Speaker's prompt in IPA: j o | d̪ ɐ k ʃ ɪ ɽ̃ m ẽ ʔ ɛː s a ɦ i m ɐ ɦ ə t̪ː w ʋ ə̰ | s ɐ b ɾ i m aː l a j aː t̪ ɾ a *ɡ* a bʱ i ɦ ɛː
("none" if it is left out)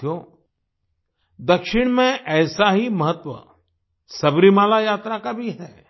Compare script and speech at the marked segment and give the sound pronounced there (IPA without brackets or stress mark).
k